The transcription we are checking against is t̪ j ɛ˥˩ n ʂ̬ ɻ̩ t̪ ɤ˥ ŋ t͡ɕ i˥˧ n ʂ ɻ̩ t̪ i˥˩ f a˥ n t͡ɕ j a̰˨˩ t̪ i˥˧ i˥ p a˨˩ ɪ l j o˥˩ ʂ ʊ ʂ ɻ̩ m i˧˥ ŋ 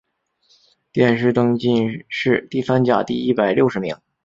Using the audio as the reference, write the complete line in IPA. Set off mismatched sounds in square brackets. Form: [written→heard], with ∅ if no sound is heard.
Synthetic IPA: t̪ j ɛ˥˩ n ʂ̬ ɻ̩ t̪ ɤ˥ ŋ t͡ɕ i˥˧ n ʂ ɻ̩ t̪ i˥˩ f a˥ n t͡ɕ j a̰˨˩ t̪ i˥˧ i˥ p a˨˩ ɪ l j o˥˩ [ʂ→∅] ʊ ʂ ɻ̩ m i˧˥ ŋ